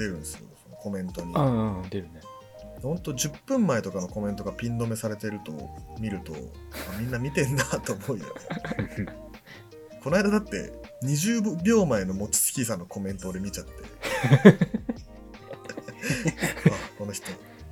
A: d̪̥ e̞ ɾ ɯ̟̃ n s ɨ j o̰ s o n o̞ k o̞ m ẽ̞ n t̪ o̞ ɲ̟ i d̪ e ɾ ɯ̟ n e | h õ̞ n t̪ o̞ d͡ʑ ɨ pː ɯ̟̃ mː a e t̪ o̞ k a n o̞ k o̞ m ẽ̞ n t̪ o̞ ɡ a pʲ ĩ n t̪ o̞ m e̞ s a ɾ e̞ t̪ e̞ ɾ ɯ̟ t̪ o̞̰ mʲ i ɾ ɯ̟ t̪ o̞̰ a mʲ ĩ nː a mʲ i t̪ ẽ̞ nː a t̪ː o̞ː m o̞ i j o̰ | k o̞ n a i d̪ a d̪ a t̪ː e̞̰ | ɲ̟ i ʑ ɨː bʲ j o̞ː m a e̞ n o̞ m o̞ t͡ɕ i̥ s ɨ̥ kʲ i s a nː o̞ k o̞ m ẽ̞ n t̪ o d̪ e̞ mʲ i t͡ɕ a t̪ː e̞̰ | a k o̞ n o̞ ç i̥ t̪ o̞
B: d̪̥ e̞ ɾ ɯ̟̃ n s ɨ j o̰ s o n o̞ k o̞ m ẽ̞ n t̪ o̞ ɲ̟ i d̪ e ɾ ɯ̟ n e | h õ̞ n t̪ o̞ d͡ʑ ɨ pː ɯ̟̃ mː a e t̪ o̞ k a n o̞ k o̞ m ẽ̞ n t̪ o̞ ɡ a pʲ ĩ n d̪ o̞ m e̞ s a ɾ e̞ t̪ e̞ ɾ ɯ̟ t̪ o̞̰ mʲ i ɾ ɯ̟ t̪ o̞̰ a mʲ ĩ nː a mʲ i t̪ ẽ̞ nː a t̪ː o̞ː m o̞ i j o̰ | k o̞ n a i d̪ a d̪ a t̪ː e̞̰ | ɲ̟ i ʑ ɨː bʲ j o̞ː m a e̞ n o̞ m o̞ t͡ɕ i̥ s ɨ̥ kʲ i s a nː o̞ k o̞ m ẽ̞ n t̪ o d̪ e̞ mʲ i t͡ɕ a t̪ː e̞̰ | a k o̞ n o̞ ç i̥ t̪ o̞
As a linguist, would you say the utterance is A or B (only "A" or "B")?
B